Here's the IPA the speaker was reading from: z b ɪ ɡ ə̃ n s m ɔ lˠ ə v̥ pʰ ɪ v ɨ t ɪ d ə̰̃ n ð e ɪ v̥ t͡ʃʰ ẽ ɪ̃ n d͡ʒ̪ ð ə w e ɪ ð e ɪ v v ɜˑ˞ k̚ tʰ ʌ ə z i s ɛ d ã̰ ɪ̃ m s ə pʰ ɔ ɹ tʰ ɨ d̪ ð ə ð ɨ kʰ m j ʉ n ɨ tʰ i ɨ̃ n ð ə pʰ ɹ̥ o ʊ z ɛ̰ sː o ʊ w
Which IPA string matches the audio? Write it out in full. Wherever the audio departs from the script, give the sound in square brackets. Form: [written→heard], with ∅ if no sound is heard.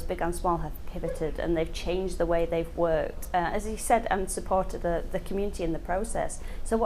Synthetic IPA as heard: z b ɪ ɡ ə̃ n s m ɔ lˠ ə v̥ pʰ ɪ v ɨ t ɪ d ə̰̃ n ð e ɪ v̥ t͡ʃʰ ẽ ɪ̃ n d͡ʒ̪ ð ə w e ɪ ð e ɪ v [v→w] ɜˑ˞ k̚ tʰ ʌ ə z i s ɛ d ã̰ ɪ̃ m s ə pʰ ɔ ɹ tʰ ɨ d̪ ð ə ð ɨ kʰ m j ʉ n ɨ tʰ i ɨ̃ n ð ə pʰ ɹ̥ o ʊ [z→s] ɛ̰ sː o ʊ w